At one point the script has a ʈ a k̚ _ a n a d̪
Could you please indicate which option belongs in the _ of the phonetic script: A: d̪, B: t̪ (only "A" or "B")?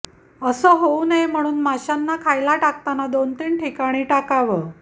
B